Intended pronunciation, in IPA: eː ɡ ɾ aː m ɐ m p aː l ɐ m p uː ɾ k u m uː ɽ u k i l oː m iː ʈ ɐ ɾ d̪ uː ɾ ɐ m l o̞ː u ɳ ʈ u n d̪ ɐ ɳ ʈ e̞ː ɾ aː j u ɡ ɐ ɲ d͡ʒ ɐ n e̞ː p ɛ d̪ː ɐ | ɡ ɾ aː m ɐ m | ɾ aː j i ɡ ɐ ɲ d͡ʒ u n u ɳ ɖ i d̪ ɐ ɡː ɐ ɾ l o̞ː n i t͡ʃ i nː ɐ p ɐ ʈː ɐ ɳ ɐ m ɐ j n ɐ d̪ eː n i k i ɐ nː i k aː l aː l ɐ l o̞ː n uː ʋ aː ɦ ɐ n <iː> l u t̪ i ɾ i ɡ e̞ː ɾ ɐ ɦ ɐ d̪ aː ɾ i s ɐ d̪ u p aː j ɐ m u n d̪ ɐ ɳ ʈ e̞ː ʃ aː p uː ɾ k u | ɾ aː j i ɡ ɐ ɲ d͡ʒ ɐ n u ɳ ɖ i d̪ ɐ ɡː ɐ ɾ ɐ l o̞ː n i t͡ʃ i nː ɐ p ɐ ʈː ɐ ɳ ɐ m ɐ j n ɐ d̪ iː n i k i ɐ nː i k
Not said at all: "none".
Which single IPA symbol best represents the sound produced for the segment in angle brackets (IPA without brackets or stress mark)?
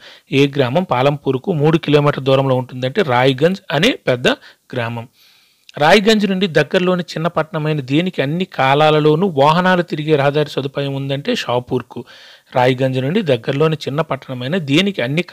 aː